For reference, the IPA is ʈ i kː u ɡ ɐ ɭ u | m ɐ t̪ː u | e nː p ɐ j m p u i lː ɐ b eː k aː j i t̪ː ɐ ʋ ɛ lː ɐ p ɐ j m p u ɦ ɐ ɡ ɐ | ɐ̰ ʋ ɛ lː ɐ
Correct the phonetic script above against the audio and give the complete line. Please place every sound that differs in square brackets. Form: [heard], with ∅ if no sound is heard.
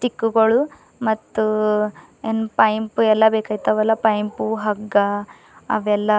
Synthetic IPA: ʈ i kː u ɡ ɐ ɭ u | m ɐ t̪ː u | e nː p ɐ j m p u [ɛ] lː ɐ b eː k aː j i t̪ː ɐ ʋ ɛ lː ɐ p ɐ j m p u ɦ ɐ ɡ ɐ | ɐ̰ ʋ ɛ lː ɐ